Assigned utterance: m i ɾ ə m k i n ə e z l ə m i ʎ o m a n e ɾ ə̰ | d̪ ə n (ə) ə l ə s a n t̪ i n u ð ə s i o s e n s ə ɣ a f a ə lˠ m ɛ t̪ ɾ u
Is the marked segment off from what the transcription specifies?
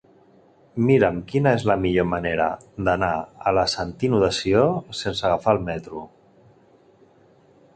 yes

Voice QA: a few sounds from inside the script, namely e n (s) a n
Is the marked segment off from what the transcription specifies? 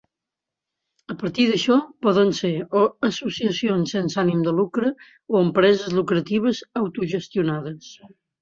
no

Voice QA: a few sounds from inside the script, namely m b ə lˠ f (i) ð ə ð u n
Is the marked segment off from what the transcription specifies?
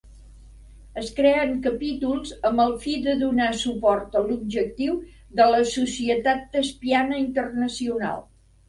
no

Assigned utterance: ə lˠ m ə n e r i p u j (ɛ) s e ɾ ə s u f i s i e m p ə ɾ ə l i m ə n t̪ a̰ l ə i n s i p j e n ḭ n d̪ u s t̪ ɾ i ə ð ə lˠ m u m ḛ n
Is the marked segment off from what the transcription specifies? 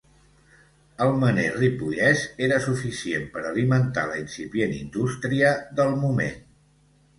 no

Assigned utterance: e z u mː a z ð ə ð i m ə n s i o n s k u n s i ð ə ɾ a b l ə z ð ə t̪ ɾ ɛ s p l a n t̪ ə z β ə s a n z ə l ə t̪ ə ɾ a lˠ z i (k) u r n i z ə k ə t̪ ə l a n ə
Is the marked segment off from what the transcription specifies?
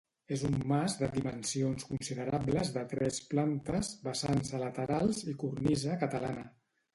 no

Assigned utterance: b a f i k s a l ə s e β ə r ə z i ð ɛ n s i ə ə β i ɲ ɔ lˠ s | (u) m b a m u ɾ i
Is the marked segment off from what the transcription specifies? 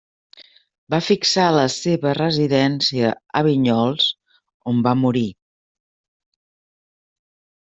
yes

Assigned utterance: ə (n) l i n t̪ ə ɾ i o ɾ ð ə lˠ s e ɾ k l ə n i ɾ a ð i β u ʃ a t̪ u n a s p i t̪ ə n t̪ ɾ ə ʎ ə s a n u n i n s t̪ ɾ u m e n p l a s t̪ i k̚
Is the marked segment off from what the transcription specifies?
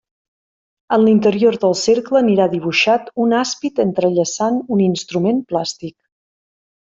no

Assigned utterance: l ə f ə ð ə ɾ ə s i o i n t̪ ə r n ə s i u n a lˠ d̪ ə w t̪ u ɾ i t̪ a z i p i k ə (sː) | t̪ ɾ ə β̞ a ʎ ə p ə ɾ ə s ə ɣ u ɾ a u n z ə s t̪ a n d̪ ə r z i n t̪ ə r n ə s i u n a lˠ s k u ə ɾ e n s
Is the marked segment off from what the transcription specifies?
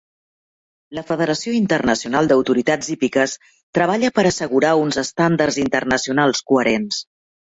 yes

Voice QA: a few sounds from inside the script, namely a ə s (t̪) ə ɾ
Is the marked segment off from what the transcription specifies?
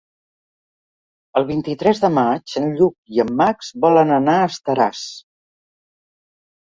no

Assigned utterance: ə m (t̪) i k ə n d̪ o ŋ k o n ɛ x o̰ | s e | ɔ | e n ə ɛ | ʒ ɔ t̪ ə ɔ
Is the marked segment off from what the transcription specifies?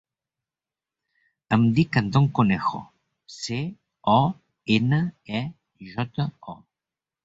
yes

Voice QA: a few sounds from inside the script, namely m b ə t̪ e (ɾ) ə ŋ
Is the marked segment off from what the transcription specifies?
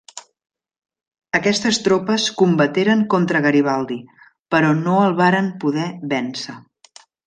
no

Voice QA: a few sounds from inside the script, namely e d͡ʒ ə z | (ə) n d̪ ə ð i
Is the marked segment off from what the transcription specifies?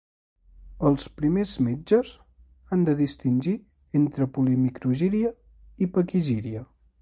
yes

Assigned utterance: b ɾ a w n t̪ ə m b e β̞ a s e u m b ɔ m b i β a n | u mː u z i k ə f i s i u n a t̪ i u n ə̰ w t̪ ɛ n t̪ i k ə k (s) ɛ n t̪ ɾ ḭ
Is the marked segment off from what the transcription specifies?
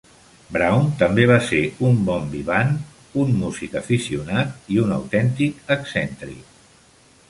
no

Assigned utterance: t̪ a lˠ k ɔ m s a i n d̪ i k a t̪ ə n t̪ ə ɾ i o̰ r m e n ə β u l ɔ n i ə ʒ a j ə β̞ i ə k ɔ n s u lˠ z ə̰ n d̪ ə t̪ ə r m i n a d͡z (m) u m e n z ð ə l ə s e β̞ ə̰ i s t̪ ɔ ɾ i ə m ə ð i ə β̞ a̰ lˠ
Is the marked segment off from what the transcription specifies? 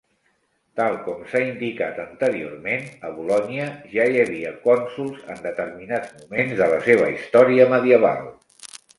no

